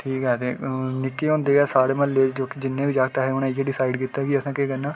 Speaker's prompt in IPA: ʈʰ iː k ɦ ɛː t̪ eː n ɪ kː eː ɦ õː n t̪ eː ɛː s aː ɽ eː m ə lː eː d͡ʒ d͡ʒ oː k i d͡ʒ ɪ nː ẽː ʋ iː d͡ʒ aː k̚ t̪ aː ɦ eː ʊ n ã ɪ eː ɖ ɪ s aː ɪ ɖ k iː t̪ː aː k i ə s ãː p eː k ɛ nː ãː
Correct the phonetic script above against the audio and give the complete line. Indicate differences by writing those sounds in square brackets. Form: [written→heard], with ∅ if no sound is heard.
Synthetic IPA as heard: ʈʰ iː k ɦ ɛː t̪ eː n ɪ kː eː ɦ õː n [t̪→d̪] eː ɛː s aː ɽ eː m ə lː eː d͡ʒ d͡ʒ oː k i d͡ʒ ɪ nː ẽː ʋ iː d͡ʒ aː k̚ t̪ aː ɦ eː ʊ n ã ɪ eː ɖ ɪ s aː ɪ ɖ k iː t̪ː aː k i ə s ãː [p→k] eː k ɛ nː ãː